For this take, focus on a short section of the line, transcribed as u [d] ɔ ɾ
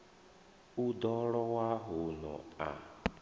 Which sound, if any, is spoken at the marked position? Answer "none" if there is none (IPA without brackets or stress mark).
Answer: d